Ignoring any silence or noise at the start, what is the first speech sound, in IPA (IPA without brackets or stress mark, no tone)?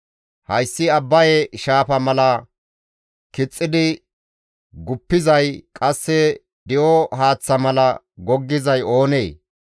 h